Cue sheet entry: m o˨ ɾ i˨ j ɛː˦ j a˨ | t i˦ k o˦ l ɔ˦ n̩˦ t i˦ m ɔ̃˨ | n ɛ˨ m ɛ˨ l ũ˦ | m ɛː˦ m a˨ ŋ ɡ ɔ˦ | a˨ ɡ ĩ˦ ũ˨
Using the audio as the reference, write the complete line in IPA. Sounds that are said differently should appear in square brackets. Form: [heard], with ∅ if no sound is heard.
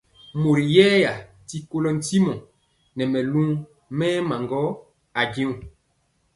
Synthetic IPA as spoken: m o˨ ɾ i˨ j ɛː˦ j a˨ | t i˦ k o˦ l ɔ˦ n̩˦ t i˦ m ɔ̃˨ | n ɛ˨ m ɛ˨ l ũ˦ | m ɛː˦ m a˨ ŋ ɡ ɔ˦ | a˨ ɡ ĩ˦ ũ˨